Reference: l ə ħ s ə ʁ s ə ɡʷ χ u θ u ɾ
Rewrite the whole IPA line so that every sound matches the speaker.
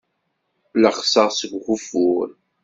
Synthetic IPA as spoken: l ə χ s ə ʁ s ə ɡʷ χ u f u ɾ